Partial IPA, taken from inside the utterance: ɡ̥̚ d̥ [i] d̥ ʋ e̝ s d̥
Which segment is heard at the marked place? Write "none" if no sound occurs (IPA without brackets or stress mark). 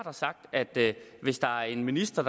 æ